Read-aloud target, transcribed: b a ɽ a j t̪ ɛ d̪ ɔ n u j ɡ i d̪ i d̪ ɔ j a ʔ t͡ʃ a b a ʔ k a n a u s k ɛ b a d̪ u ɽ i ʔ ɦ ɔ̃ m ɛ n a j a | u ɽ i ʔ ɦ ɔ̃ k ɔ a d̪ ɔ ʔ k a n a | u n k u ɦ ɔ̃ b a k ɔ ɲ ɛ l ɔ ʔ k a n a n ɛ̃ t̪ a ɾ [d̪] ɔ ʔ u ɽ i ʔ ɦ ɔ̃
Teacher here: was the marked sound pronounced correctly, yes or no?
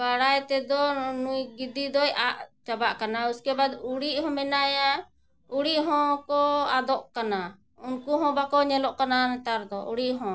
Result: yes